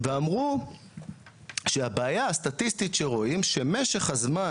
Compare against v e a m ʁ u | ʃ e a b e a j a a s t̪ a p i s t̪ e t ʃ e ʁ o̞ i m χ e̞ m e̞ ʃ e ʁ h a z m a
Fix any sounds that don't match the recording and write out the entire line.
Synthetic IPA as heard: v e a m ʁ u | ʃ e a b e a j a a s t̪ a t i s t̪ i t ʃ e ʁ o̞ i m ʃ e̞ m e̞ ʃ e χ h a z m a